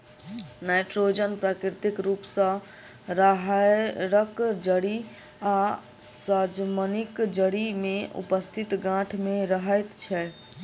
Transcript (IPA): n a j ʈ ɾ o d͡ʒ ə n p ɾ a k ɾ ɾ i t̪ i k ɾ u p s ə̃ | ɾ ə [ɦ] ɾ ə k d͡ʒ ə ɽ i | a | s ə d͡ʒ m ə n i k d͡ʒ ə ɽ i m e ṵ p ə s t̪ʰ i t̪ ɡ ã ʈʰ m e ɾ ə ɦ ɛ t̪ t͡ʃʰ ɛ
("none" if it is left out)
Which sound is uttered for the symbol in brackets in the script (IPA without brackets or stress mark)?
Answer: ɦ